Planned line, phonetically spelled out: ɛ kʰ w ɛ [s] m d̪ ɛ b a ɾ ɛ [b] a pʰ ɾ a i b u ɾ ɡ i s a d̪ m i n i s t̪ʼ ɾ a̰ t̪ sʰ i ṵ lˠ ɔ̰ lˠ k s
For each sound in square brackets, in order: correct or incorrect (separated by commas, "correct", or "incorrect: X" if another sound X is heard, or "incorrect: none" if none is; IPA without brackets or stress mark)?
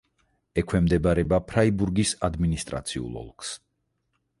incorrect: none, correct